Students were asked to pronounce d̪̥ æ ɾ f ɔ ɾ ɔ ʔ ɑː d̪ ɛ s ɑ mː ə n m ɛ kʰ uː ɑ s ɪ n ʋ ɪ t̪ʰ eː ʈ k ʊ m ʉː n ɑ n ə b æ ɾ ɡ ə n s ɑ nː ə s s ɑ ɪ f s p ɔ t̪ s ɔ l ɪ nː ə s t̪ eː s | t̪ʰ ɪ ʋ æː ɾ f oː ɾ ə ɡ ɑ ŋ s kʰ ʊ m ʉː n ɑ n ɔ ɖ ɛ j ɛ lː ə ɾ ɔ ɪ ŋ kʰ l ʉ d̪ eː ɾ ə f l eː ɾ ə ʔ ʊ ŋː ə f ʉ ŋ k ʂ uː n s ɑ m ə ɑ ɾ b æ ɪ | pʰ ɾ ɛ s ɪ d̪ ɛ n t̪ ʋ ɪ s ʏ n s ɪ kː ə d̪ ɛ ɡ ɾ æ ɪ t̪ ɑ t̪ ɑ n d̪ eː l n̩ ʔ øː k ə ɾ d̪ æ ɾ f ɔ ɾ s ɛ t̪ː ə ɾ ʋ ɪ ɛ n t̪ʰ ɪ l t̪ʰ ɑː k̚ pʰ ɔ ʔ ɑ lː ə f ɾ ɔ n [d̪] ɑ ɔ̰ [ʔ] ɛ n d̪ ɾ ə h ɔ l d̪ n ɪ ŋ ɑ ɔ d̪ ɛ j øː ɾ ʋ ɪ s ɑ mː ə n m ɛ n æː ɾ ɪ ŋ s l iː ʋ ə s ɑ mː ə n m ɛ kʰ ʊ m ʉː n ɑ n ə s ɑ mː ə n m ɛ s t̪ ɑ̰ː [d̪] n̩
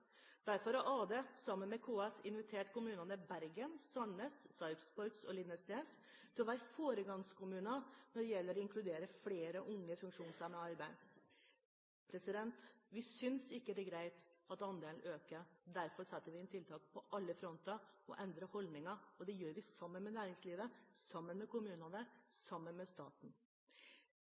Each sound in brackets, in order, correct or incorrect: incorrect: t̪, correct, incorrect: t̪

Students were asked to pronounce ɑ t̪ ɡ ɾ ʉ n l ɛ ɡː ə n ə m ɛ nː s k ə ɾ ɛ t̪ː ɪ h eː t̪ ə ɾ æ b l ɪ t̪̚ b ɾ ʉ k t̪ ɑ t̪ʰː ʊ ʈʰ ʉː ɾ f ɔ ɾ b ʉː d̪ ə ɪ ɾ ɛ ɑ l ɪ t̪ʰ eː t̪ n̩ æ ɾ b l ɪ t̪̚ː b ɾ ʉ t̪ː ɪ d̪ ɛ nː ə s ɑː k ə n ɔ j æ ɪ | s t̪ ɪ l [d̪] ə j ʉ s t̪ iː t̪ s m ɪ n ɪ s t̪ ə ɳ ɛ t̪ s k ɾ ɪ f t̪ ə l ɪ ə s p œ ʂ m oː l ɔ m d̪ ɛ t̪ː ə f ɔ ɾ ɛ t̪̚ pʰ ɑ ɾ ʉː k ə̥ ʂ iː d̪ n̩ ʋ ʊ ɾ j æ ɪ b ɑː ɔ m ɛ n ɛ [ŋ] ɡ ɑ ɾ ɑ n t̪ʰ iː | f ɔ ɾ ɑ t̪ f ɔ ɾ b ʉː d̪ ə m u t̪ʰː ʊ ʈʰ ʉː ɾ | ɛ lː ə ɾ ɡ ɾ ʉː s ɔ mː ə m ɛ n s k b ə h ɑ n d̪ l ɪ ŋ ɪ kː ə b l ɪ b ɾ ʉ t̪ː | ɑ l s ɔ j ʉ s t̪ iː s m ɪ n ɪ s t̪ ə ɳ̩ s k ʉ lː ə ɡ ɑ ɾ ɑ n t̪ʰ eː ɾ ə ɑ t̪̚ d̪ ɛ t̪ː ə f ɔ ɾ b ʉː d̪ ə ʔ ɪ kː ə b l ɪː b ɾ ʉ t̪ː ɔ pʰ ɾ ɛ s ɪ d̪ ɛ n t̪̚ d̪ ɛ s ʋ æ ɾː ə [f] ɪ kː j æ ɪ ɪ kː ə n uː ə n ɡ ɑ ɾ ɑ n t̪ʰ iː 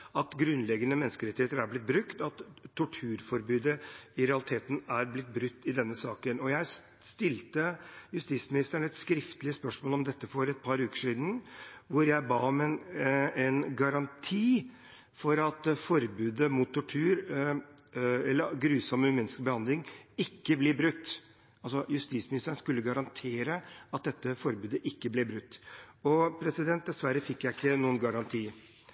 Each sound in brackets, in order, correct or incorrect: incorrect: t̪, incorrect: n, correct

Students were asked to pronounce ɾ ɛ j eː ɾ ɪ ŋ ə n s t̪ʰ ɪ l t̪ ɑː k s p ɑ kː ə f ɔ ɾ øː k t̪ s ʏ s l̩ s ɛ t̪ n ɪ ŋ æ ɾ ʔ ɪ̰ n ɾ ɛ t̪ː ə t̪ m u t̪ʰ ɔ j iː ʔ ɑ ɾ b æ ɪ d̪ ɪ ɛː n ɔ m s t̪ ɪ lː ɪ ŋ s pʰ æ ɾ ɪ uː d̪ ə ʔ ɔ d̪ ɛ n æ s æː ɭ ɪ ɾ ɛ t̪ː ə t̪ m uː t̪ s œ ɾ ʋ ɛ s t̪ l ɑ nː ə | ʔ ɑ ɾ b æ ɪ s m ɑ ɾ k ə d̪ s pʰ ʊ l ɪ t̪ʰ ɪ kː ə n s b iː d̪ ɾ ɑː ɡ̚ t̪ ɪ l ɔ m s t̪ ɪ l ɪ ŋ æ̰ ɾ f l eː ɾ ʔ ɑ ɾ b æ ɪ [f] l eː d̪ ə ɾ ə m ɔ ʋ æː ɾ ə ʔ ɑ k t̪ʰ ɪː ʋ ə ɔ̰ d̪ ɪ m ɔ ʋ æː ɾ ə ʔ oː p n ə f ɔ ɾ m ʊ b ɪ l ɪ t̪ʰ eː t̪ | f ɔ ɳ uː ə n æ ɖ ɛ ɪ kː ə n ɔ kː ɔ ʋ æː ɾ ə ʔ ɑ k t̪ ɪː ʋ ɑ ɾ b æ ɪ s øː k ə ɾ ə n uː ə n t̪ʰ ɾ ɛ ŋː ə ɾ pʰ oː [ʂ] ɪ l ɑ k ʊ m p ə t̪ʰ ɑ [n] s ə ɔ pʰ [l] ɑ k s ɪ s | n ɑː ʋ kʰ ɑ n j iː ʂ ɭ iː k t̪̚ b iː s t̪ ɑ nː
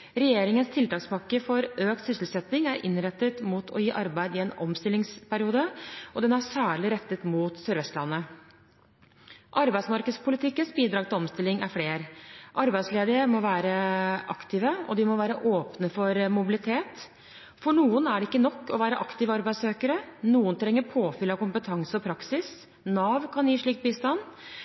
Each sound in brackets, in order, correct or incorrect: incorrect: s, incorrect: f, incorrect: ŋ, incorrect: ɾ

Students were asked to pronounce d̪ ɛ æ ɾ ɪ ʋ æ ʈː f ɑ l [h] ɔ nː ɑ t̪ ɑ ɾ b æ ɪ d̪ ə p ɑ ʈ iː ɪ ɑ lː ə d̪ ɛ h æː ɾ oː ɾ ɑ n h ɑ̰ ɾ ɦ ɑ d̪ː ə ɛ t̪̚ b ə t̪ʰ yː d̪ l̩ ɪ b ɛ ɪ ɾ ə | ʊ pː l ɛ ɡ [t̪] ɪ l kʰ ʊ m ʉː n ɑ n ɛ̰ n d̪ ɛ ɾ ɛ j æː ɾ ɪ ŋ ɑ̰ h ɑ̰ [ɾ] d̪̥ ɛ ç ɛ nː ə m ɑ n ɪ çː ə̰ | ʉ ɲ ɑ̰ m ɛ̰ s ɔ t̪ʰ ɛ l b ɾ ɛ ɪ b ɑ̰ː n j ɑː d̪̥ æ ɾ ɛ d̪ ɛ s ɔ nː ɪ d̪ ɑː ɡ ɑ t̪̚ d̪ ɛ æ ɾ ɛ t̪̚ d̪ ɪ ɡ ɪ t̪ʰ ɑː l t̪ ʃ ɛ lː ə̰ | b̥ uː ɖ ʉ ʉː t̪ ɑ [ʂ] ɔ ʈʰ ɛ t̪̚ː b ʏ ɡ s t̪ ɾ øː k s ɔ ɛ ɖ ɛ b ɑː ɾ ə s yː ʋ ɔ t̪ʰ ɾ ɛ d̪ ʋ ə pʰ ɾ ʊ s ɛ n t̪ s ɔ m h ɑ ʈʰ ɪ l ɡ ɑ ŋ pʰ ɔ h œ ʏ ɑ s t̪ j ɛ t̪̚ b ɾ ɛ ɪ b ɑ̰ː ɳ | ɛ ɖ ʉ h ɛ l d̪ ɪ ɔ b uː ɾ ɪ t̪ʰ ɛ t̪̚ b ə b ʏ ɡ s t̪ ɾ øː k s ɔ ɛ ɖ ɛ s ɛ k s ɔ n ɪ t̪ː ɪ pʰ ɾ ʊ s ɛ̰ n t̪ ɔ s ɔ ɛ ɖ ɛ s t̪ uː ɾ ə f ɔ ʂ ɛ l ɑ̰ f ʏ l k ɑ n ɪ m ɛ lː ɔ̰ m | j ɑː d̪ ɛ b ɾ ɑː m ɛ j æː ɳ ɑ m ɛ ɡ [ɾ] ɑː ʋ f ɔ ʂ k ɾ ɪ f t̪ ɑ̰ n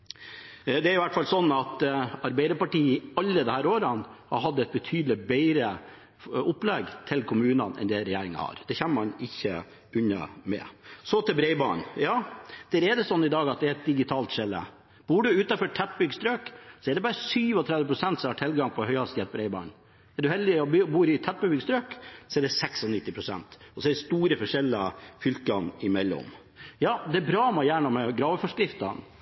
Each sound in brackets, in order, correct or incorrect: incorrect: s, incorrect: t̪ʰ, correct, incorrect: f, correct

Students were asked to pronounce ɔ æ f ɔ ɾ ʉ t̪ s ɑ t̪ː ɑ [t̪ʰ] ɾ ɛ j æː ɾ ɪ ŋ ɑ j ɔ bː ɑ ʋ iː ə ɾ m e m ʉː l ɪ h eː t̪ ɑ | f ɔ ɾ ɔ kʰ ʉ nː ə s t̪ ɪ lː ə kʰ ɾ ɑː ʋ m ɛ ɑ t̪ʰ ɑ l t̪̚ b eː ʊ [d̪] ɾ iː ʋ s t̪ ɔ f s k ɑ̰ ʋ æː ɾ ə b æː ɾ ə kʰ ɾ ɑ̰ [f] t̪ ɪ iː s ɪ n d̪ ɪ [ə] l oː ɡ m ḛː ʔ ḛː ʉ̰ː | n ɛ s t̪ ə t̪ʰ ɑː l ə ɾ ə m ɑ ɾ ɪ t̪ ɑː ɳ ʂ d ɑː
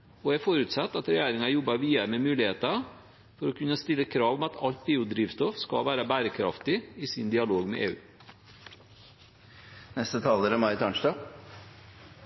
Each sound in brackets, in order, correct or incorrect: incorrect: t̪, correct, correct, incorrect: ɑ

